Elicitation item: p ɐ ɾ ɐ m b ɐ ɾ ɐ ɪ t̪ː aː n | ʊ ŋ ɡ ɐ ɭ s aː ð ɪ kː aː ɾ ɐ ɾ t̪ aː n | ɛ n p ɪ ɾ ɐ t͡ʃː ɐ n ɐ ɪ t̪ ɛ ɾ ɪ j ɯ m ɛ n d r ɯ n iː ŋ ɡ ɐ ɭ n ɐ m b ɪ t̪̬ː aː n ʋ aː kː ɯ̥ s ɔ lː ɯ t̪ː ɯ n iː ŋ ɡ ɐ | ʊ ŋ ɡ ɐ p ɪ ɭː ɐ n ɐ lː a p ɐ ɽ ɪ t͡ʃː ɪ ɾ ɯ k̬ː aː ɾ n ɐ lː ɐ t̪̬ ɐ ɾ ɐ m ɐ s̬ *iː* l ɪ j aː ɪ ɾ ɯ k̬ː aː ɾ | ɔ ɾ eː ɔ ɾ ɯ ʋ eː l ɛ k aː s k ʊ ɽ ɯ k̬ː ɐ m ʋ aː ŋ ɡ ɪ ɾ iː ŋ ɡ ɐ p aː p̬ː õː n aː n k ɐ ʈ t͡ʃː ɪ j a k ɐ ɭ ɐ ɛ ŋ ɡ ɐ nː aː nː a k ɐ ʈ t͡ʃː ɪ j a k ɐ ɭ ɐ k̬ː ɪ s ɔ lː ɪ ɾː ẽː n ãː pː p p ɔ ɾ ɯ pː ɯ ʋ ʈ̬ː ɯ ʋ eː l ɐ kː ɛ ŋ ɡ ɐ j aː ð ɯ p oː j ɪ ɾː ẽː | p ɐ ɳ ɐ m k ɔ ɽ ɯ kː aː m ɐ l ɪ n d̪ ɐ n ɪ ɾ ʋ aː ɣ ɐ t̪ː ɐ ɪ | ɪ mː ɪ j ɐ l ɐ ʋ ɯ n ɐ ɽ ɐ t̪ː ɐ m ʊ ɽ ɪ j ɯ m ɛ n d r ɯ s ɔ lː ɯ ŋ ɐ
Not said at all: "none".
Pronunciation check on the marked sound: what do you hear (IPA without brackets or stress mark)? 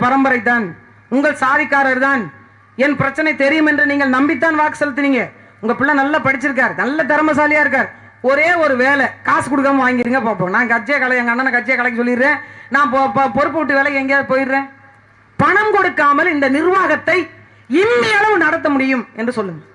aː